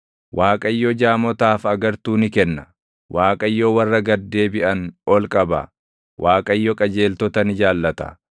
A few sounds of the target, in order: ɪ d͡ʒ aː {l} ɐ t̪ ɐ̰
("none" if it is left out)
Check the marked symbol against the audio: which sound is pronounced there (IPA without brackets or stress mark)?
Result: lː